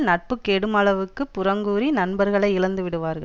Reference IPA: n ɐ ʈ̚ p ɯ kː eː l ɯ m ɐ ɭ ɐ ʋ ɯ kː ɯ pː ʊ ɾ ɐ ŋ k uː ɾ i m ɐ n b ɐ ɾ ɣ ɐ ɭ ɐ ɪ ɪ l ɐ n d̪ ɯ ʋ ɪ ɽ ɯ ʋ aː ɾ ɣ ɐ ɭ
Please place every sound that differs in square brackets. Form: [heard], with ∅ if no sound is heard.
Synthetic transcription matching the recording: n ɐ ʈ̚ p ɯ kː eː [ɽ] ɯ m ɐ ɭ ɐ ʋ ɯ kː ɯ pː ʊ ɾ ɐ ŋ [ɡ] uː ɾ i [n] ɐ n b ɐ ɾ ɣ ɐ ɭ ɐ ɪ ɪ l ɐ n d̪ ɯ ʋ ɪ ɽ ɯ ʋ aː ɾ ɣ ɐ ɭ